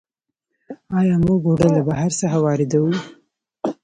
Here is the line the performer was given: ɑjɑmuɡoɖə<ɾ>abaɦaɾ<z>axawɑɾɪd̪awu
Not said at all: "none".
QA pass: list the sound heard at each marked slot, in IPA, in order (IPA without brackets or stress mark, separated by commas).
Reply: l, s